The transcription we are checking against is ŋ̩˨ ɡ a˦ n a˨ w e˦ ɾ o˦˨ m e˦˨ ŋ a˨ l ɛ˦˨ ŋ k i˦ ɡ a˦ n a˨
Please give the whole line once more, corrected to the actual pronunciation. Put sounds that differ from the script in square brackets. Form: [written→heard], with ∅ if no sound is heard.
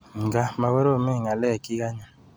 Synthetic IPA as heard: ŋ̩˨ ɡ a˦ [n→m] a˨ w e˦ ɾ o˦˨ m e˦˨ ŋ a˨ l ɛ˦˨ [ŋ→∅] k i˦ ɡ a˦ [n→ɲ] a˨